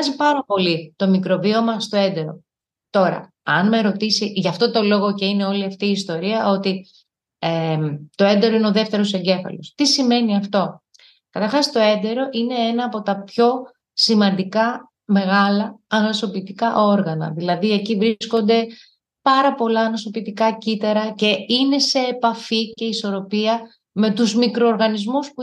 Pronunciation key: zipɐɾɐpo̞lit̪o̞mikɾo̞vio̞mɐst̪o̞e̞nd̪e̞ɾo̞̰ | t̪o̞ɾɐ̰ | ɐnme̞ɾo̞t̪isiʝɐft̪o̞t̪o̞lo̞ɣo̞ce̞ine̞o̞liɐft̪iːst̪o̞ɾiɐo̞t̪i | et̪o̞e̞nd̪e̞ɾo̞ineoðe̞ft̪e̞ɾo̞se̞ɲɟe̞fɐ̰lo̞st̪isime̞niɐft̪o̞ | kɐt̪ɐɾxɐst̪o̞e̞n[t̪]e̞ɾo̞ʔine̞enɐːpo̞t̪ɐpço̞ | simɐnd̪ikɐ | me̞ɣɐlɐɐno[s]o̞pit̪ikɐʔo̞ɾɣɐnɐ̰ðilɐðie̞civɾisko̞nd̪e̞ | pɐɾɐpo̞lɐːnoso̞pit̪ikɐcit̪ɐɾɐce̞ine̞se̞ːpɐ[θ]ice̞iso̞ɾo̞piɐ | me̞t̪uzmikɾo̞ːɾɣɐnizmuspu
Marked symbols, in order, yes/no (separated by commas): no, yes, no